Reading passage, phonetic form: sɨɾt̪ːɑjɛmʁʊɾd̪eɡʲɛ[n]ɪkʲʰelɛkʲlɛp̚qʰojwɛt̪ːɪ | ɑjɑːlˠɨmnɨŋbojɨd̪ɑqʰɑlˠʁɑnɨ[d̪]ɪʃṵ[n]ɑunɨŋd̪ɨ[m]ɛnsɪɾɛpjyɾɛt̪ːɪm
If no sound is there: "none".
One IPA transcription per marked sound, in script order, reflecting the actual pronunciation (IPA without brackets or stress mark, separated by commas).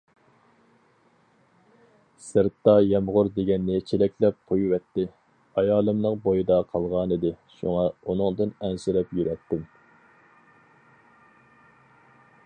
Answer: nː, d̪, ŋ, n